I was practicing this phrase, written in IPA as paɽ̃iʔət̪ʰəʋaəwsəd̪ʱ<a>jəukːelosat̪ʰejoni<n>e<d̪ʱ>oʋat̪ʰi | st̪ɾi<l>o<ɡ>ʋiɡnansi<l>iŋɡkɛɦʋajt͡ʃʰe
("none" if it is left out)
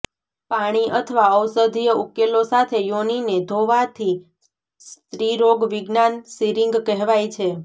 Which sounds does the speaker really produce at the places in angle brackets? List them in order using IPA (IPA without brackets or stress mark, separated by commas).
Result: i, n, d̪ʱ, ɾ, ɡ, ɾ